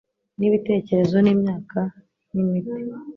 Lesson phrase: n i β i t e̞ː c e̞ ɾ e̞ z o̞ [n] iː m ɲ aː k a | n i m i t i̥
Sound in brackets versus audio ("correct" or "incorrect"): correct